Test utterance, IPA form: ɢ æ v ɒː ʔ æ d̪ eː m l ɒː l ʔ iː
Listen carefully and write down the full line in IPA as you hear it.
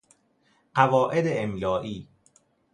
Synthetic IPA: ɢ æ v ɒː ʔ e d̪ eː m l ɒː ʔ iː